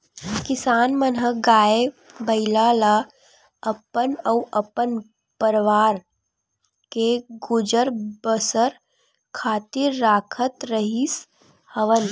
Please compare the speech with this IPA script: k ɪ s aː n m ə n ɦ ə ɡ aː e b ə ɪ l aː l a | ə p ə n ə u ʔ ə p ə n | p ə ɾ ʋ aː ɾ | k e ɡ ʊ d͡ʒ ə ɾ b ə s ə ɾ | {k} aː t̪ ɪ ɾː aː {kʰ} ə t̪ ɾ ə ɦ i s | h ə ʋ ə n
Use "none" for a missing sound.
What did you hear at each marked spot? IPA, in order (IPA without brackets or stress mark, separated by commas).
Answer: kʰ, kʰ